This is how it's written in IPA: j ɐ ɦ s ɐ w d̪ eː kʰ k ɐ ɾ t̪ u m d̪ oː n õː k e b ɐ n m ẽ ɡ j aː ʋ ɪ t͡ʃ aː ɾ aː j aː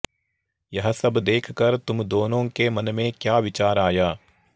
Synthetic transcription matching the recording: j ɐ ɦ s ɐ b d̪ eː kʰ k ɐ ɾ t̪ ʊ m d̪ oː n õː k e m ɐ n m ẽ k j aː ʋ ɪ t͡ʃ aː ɾ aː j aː